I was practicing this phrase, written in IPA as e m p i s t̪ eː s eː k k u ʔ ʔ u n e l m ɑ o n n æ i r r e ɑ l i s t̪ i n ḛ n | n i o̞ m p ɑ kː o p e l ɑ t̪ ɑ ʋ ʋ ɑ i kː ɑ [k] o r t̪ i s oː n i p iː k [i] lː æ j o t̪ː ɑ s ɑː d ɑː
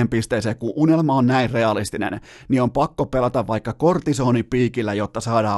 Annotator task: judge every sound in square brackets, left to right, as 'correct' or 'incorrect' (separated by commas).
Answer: correct, correct